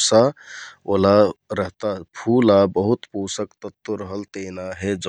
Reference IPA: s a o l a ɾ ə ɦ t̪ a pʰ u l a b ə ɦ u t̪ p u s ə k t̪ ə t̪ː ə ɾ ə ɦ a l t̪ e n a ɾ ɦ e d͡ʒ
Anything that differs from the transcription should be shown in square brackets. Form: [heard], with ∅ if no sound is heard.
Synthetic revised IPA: s a o l a ɾ ə ɦ t̪ a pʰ u l a b ə ɦ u t̪ p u s ə k t̪ ə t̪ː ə ɾ ə ɦ [ə] l t̪ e n a [∅] ɦ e d͡ʒ